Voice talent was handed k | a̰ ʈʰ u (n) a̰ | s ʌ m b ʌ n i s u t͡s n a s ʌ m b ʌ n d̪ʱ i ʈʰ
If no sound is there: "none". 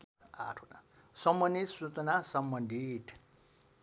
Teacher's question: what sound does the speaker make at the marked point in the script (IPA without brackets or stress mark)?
n